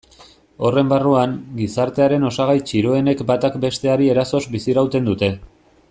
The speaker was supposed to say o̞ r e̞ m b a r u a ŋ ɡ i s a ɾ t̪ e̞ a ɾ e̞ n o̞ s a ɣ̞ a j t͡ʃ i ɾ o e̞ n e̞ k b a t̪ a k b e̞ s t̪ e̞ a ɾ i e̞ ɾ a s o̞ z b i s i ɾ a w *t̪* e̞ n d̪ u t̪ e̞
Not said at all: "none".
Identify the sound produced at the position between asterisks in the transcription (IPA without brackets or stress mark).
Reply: t̪